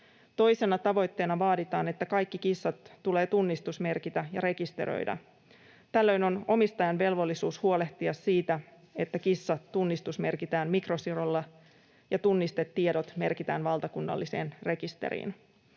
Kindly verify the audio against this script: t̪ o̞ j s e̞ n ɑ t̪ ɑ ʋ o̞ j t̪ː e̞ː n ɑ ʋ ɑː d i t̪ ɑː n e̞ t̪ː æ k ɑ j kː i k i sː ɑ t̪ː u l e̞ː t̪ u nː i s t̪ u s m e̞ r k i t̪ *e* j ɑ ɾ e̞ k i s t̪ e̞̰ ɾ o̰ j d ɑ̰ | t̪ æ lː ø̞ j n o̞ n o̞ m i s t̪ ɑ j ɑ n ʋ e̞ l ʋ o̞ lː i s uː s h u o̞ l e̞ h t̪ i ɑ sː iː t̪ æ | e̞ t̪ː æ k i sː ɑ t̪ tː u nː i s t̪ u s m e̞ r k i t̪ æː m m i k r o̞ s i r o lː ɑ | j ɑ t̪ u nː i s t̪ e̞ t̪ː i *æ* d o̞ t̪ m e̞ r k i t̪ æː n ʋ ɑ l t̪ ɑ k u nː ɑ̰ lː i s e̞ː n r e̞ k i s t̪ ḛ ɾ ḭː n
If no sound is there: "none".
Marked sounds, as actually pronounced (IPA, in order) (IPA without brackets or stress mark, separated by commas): æ, e